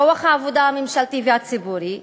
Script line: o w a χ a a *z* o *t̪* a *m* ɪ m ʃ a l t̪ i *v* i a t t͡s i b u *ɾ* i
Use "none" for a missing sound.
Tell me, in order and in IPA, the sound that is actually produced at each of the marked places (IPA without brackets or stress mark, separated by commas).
v, d̪, m, v, ɾ